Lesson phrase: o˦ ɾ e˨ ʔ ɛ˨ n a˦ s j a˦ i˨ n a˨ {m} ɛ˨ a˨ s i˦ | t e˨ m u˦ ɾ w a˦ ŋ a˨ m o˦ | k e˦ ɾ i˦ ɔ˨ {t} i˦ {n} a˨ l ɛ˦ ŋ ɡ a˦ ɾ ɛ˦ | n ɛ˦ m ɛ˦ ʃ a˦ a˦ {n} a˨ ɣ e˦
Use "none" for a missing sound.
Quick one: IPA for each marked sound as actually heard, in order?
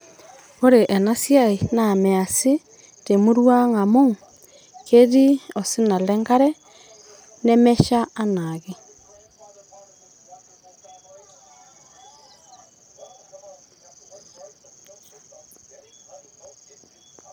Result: m, s, n, n

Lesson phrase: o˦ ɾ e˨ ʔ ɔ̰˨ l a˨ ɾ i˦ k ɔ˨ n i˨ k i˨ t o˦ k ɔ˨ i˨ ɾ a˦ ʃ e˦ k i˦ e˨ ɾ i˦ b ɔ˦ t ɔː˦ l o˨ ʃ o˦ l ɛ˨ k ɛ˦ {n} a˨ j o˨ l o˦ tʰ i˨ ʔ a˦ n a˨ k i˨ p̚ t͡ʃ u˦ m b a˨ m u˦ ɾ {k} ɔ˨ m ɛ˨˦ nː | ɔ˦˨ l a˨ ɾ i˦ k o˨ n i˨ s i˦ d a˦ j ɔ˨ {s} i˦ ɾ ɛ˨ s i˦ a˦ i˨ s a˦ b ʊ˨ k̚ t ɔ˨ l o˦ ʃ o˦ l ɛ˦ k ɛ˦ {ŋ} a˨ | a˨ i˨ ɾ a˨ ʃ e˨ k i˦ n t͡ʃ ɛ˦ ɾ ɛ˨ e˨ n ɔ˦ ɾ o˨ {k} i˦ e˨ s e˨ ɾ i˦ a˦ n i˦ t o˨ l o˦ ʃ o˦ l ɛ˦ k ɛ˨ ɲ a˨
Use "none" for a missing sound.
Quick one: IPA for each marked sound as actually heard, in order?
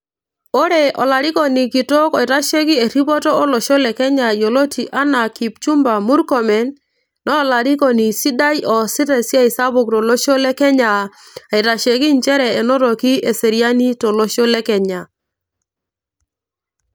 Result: ɲ, k, s, ɲ, k

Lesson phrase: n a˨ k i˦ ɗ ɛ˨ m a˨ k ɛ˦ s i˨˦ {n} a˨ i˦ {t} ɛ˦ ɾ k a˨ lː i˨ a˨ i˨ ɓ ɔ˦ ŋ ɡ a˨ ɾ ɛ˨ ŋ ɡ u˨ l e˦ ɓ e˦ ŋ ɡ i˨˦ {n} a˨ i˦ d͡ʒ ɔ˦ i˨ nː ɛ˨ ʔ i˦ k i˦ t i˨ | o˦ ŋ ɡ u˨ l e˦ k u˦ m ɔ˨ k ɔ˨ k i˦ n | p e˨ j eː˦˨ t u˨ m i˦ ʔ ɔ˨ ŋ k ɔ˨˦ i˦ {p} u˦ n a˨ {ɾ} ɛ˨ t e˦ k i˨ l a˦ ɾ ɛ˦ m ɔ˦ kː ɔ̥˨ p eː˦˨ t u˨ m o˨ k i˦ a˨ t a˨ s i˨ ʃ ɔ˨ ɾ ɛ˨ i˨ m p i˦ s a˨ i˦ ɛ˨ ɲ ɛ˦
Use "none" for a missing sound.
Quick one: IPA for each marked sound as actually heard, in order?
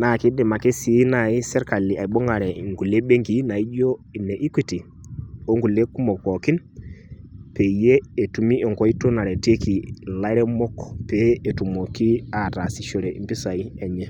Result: n, s, n, t, ɾ

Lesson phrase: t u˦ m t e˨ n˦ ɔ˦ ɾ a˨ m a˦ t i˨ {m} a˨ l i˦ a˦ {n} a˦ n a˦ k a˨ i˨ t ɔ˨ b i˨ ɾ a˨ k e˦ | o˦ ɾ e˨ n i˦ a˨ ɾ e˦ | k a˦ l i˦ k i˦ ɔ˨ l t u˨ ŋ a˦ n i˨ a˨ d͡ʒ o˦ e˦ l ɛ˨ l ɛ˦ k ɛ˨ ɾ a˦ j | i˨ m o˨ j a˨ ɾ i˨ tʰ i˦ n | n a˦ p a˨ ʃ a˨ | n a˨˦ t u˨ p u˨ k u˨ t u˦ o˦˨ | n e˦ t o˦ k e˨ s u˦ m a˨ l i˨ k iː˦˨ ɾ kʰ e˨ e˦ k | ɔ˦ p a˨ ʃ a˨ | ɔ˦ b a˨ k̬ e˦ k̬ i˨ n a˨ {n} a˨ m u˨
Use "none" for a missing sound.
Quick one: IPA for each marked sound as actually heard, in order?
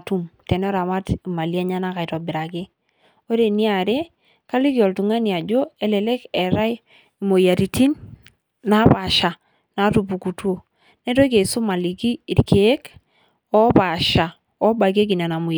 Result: m, ɲ, n

